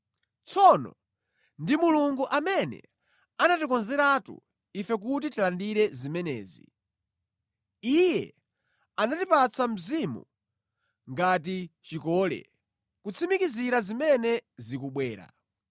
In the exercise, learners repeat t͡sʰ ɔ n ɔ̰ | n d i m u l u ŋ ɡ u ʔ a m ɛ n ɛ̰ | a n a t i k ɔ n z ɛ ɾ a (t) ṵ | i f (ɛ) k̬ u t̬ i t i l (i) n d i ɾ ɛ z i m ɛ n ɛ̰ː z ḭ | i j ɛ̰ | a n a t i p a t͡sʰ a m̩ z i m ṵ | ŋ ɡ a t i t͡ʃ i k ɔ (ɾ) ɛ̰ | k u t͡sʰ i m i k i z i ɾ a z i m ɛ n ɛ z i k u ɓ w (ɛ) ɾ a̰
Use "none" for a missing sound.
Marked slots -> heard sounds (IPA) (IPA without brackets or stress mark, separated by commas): t, ɛ, a, l, ɛː